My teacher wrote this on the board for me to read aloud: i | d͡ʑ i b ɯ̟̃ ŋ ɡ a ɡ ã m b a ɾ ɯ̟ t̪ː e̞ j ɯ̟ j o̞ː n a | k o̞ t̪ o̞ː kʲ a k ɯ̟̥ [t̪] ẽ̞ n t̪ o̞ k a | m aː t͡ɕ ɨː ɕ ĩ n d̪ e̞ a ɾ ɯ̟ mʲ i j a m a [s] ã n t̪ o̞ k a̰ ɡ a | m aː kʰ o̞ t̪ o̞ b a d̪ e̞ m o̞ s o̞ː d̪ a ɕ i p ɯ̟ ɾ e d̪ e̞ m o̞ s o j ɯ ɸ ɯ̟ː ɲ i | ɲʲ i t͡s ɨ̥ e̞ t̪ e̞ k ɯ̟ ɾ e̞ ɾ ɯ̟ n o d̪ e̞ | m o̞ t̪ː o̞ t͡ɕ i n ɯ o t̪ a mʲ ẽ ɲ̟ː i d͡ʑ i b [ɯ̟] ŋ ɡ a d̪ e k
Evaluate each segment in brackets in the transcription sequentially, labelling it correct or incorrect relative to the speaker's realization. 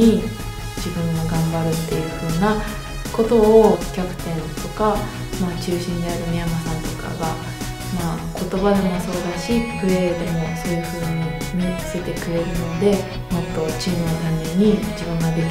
correct, correct, incorrect: ɯ̟̃

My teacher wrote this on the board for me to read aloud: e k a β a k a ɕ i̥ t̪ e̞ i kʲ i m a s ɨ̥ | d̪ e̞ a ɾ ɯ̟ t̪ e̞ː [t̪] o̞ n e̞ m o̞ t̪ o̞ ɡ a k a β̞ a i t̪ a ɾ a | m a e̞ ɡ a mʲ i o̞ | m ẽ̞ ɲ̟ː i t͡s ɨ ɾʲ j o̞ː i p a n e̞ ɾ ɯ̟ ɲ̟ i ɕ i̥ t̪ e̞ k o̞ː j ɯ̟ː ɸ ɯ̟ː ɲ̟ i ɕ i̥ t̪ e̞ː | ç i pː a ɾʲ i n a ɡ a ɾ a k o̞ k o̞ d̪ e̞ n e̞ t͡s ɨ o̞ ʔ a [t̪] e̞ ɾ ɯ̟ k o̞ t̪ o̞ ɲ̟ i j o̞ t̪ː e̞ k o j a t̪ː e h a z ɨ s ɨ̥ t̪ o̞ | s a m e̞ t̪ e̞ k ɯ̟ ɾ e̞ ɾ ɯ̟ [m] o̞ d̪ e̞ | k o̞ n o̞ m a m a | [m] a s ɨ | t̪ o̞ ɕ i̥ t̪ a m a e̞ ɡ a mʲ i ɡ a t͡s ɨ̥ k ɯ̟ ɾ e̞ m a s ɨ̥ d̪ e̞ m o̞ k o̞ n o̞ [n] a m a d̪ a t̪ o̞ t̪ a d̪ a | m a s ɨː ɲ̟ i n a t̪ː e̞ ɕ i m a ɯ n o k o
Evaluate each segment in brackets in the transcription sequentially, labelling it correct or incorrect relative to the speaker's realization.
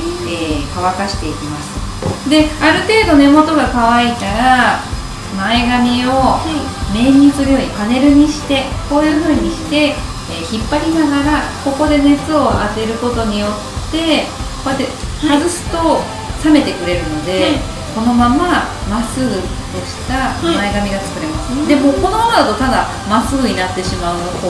incorrect: d̪, correct, incorrect: n, correct, incorrect: m

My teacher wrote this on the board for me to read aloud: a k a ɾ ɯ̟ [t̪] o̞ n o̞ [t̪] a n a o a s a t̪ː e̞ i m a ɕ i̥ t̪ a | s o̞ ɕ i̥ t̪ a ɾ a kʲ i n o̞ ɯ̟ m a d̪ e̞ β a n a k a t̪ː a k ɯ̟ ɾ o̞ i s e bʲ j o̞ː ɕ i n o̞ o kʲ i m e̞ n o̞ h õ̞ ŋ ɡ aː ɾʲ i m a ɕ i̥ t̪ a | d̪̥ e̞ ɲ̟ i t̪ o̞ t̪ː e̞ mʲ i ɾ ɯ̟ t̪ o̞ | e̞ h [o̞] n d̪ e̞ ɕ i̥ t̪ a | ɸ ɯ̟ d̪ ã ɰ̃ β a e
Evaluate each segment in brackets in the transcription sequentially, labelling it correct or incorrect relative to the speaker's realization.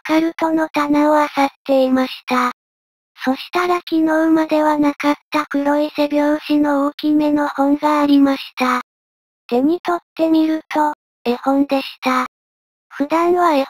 correct, correct, incorrect: õ̞

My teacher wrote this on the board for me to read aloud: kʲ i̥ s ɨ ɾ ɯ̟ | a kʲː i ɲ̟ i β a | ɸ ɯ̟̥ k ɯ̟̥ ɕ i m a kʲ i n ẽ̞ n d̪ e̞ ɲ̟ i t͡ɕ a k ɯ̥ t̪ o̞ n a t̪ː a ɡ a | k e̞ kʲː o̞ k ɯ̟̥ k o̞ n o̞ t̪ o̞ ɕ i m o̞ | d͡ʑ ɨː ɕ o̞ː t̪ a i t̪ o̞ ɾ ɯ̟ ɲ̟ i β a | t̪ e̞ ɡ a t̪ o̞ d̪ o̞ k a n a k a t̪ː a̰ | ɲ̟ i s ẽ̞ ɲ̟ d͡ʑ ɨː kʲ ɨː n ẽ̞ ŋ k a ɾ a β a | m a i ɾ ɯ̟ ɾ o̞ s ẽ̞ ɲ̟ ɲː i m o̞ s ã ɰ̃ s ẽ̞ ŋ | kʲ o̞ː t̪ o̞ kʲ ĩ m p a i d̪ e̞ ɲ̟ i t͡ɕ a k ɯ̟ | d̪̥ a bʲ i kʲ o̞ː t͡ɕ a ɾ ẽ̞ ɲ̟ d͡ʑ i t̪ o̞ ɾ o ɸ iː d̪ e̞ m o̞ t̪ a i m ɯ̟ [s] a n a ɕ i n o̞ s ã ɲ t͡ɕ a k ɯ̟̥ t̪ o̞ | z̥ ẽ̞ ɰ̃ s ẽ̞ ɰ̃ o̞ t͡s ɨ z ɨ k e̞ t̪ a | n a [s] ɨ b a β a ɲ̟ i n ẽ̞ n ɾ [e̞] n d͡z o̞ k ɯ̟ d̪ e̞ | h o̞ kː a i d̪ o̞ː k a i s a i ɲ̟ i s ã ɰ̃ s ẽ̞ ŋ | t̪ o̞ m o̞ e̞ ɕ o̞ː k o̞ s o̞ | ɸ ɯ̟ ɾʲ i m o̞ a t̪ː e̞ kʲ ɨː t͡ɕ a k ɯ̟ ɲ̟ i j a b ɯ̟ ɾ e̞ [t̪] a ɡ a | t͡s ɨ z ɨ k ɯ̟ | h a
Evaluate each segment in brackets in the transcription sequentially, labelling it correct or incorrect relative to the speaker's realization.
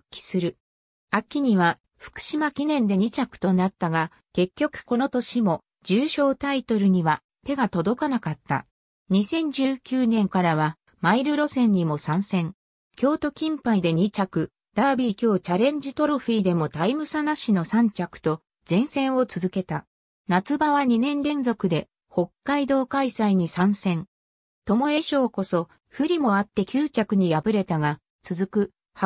correct, incorrect: t͡s, incorrect: ẽ̞, correct

